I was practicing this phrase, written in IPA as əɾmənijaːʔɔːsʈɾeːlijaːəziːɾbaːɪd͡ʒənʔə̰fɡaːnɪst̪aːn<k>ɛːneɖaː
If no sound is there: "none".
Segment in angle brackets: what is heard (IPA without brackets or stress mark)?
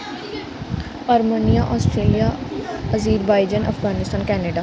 k